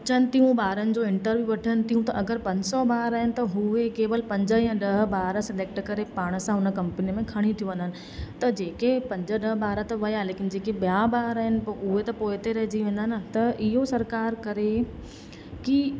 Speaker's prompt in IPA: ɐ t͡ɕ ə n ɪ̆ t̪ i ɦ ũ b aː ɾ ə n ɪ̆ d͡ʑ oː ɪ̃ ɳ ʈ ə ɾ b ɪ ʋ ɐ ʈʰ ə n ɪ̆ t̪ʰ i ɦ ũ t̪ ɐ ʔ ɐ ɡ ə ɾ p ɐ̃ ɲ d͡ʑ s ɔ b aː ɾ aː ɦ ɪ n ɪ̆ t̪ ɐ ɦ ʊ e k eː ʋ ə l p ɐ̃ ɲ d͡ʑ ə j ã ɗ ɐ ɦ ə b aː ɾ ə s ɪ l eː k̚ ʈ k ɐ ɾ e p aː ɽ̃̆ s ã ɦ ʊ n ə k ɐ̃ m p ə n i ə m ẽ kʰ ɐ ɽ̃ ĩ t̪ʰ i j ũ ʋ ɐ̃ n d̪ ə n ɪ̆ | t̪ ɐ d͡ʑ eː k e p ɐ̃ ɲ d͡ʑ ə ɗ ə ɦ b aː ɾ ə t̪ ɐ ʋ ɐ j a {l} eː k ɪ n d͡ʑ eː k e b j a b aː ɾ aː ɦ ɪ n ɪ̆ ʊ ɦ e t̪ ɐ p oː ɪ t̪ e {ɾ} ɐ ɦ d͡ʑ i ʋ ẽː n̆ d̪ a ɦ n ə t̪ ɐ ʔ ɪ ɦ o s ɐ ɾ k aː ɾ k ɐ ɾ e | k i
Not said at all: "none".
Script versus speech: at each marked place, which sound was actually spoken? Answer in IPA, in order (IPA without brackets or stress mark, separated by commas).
l, ɾ